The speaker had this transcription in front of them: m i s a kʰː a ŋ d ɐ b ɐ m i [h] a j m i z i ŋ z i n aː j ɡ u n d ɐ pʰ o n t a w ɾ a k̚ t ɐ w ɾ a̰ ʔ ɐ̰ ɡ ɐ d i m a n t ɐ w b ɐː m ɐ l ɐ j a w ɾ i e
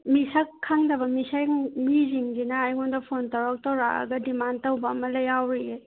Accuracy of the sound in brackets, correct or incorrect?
incorrect